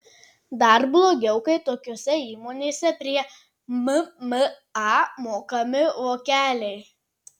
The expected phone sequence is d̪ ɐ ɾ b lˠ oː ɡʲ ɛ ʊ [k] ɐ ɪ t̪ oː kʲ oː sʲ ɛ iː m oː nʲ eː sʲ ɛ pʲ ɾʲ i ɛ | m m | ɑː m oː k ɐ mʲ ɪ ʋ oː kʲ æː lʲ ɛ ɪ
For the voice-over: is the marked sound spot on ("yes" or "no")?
yes